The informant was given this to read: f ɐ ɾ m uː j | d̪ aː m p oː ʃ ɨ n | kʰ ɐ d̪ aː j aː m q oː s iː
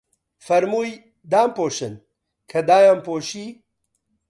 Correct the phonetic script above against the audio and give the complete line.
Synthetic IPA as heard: f ɐ ɾ m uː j | d̪ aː m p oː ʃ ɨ n | kʰ ɐ d̪ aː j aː m p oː ʃ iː